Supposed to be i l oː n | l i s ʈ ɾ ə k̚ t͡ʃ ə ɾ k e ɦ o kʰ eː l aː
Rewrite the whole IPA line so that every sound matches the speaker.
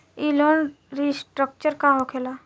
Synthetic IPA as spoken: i l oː n | ɾ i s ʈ ɾ ə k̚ t͡ʃ ə ɾ k a ɦ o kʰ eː l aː